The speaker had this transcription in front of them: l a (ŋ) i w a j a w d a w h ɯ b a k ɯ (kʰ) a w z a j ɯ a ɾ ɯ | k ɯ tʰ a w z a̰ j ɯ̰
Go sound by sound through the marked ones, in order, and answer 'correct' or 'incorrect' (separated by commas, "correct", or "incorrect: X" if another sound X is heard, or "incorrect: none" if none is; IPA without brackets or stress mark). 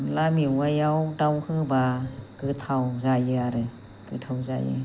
incorrect: m, incorrect: tʰ